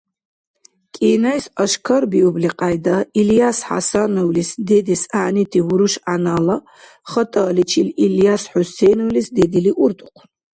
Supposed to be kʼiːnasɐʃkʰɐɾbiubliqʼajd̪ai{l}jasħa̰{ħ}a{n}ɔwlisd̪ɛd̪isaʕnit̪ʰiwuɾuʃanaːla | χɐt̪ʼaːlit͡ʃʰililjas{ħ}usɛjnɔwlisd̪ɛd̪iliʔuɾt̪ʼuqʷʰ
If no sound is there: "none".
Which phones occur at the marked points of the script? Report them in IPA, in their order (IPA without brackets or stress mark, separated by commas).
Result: l, s, n, ħ